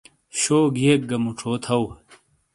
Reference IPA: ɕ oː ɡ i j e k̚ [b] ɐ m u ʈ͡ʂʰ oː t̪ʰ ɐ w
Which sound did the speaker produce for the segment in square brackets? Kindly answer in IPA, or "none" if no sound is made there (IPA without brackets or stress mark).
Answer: ɡ